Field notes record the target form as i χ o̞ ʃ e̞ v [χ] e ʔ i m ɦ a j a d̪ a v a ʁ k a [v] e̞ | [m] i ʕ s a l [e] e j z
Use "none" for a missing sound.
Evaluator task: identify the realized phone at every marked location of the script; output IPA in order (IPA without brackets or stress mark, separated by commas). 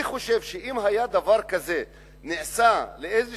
ʃ, z, n, e